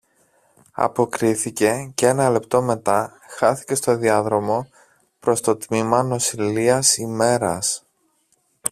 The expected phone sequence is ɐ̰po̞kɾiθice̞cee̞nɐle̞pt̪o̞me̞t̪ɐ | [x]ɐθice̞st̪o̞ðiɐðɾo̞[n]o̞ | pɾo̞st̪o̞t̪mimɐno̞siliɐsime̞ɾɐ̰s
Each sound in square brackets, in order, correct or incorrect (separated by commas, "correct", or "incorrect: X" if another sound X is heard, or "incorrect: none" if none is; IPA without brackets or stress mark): correct, incorrect: m